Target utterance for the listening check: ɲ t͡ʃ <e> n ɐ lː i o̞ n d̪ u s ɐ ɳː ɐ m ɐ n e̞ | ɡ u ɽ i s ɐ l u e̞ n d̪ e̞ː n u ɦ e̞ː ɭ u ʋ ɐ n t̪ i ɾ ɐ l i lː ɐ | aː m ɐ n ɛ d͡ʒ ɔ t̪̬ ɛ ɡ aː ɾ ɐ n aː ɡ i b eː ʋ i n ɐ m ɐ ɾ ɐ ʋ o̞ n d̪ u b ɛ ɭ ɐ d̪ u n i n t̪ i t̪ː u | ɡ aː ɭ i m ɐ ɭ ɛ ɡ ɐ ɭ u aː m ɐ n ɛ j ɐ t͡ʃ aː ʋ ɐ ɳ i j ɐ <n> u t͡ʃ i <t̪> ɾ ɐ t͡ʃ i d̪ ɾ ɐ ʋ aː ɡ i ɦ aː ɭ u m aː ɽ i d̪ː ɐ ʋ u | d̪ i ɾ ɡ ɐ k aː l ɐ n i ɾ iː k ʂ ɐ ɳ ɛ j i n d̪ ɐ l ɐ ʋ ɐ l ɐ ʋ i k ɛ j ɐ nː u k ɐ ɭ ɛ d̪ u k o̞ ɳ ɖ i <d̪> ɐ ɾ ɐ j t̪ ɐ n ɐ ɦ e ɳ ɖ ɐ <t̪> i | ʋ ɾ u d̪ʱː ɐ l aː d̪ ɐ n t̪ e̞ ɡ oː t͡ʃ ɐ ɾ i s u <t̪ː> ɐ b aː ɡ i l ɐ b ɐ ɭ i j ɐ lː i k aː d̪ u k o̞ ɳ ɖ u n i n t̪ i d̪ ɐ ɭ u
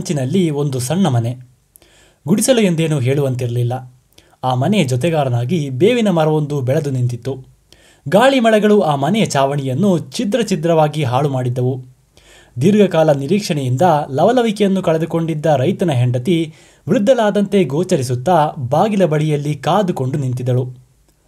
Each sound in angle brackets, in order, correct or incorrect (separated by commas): incorrect, incorrect, incorrect, incorrect, correct, correct